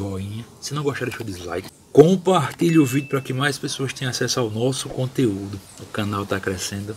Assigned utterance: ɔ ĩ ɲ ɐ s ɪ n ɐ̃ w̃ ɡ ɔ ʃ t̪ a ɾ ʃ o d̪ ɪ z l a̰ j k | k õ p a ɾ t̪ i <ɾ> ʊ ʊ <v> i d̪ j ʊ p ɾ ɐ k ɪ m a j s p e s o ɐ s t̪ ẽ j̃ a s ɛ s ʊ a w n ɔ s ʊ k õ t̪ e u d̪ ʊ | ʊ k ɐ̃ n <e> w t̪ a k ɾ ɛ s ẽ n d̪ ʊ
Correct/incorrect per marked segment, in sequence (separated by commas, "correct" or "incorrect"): incorrect, correct, incorrect